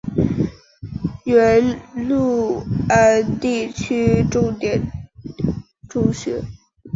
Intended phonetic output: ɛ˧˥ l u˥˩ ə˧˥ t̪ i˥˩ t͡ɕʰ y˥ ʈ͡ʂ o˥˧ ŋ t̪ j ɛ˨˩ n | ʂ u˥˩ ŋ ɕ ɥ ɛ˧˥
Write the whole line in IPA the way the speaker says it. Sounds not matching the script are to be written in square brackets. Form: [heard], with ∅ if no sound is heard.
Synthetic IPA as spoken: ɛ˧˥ l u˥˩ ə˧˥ t̪ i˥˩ t͡ɕʰ y˥ ʈ͡ʂ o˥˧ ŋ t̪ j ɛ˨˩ n | [ʈ͡ʂ] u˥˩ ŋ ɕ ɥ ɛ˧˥